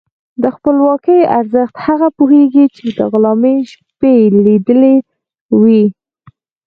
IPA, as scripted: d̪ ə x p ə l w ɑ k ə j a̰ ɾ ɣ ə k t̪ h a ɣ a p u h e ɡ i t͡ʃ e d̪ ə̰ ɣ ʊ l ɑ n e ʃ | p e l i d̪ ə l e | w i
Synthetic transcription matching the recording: d̪ ə x p ə l w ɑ k ə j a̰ ɾ z ə x t̪ h a ɣ a p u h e ɡ i t͡ʃ e d̪ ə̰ ɣ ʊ l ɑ m e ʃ | p e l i d̪ ə l e | w i